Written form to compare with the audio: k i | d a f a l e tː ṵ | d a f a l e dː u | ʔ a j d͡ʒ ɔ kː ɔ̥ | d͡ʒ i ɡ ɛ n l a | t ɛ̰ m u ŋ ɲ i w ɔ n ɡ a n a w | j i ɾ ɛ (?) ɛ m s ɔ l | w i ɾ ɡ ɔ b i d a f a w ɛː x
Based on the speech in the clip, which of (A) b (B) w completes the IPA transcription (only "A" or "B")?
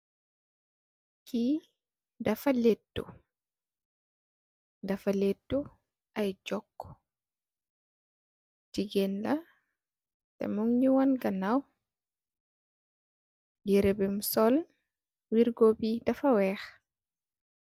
A